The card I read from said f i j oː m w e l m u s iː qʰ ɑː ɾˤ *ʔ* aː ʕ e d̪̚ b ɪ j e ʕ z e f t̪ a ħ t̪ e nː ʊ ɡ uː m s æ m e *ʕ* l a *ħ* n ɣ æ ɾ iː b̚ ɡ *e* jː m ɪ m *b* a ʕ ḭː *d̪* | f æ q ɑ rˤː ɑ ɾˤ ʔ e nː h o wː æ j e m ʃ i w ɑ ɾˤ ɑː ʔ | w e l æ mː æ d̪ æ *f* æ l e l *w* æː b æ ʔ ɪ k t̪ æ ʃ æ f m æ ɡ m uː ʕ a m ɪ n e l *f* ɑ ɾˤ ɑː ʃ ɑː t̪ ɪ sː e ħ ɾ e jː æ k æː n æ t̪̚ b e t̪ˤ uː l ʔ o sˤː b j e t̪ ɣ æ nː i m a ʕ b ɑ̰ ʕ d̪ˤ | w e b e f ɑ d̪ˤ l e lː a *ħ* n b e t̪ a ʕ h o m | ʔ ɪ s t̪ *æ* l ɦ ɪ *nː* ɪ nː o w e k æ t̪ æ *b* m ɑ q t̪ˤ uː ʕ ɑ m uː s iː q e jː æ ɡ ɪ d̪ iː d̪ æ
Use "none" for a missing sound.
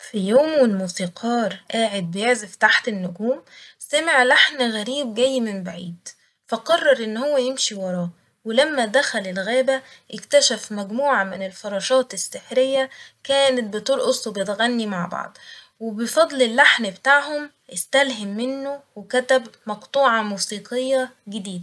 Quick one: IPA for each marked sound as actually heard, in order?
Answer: ʔ, ʕ, ħ, æ, b, d̪, x, ɣ, f, ħ, æ, mː, b

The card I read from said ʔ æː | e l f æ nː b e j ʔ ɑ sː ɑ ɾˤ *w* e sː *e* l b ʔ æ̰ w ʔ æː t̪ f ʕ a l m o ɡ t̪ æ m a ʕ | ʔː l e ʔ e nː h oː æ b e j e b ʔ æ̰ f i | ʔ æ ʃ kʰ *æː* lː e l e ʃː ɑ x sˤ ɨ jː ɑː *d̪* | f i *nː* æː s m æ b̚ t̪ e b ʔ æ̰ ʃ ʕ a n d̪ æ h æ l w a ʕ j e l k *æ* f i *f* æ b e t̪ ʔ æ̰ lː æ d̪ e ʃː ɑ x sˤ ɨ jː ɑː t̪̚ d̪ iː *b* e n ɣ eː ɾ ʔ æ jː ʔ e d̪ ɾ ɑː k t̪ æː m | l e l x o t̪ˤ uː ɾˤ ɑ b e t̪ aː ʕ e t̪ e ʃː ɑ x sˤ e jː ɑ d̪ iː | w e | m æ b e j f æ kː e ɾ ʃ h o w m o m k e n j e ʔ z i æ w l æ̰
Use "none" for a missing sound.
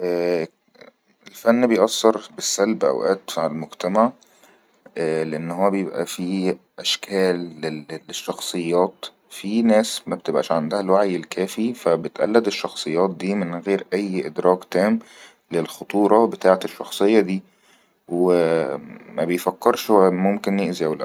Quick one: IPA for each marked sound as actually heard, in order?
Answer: b, æ, æː, t̪, n, æː, f, m

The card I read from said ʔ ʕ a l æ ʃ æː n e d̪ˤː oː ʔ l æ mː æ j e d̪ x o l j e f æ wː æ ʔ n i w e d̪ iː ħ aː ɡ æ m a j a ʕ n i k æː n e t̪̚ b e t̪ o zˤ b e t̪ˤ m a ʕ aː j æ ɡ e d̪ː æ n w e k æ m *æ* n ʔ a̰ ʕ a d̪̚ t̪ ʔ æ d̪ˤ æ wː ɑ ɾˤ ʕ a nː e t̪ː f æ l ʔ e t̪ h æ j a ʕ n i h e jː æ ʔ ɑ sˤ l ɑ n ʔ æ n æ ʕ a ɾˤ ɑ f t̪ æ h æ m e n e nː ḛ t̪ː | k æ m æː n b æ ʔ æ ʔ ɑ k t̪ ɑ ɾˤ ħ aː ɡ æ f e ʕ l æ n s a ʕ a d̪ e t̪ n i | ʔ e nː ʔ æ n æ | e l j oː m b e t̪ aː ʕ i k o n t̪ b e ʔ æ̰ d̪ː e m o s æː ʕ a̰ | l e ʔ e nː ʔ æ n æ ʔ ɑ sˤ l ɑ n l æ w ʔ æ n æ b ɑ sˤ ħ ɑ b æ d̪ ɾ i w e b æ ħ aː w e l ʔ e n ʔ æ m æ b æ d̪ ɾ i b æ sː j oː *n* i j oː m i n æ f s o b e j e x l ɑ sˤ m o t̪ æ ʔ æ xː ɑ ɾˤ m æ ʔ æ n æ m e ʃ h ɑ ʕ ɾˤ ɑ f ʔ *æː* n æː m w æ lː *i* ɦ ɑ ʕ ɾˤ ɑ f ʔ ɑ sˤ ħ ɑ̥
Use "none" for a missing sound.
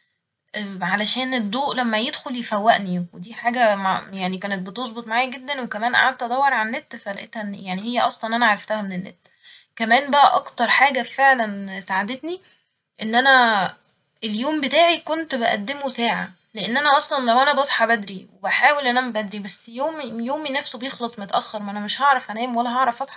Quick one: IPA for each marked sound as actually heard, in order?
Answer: æː, m, æ, æ

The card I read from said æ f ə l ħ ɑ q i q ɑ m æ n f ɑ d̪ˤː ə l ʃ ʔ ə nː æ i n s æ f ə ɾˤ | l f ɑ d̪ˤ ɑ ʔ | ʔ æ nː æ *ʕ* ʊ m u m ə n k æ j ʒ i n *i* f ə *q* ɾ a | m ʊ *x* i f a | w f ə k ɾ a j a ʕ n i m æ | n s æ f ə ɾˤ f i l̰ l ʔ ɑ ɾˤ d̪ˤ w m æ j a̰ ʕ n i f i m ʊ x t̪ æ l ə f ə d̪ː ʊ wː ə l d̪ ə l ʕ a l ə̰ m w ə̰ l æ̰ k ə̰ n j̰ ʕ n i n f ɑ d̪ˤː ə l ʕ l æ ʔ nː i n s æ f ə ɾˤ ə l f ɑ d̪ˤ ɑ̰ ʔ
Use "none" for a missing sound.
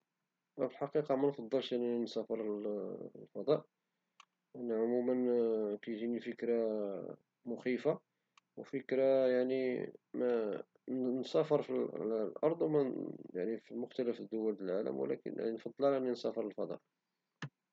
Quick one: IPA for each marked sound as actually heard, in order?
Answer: ʕ, i, k, x

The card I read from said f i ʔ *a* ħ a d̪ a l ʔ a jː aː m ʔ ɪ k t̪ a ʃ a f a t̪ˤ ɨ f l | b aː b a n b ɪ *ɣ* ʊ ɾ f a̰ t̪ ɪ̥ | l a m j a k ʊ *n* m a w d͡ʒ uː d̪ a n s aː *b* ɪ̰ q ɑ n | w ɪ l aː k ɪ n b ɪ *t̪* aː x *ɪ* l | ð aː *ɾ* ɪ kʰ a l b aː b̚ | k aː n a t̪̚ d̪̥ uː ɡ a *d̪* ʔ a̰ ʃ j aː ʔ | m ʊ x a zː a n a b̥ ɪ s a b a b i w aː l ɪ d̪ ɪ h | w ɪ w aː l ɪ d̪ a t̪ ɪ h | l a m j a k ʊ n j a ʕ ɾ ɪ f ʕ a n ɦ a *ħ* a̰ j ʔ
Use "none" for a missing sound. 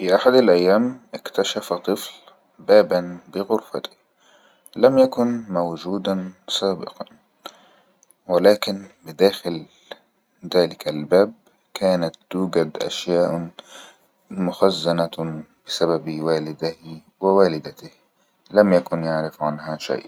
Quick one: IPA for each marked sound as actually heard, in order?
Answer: a, ɣ, n, b, d̪, ɪ, l, d̪, ʃ

